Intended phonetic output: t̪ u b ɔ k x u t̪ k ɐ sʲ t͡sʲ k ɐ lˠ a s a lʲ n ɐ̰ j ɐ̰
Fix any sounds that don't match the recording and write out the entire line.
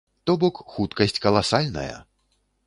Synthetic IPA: t̪ ɔ b ɔ k x u t̪ k ɐ sʲ t͡sʲ k ɐ lˠ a s a lʲ n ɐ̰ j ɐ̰